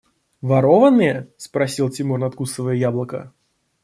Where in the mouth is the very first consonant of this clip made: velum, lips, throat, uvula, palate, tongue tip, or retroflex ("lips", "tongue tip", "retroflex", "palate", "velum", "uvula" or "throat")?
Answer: lips